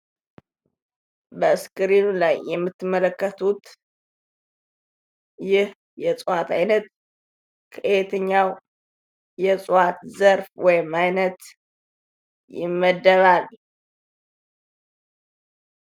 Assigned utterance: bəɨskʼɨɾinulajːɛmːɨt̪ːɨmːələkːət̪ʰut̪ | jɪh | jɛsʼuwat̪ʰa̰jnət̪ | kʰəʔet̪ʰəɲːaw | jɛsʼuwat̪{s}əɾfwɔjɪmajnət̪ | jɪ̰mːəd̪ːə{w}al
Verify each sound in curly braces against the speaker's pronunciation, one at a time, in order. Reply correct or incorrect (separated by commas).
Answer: incorrect, incorrect